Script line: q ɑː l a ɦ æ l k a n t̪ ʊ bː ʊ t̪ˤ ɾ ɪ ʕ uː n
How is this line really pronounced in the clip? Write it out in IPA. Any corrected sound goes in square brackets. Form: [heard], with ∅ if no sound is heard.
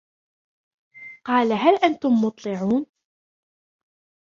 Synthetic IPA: q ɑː l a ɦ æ l [ʔ] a n t̪ ʊ [mː] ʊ t̪ˤ [l] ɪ ʕ uː n